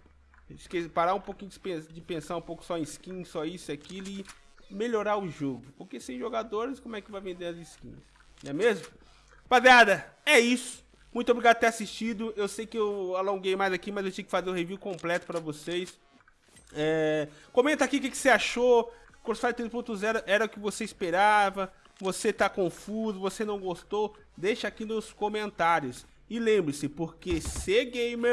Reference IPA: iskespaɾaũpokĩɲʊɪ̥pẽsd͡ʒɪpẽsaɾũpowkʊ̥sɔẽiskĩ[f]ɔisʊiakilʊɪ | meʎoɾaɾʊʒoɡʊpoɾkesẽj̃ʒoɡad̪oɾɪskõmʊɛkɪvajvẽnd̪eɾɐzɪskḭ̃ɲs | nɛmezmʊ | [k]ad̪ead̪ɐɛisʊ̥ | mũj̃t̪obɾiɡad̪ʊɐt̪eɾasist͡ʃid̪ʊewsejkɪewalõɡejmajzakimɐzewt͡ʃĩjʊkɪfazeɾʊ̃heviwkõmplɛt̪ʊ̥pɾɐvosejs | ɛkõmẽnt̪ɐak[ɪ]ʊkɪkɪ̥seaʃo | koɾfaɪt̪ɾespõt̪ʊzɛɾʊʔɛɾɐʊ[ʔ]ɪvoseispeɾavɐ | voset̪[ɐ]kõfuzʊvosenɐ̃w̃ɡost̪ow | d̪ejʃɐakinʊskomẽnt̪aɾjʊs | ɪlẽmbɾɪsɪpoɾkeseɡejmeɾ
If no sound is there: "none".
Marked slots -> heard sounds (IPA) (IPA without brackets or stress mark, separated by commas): s, p, i, k, a